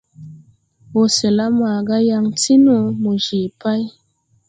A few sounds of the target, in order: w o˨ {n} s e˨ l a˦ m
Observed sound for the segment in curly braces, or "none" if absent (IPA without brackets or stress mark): none